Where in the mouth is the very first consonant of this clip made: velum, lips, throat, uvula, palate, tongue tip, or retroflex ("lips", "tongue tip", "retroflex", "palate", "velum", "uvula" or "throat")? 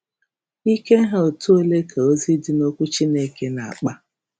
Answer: velum